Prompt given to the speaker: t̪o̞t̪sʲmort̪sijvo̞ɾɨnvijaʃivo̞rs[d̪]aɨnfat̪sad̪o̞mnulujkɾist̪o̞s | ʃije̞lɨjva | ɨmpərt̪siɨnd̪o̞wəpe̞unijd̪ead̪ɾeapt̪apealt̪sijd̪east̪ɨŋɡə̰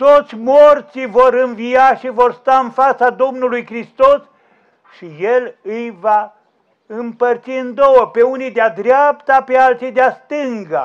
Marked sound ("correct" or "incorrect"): incorrect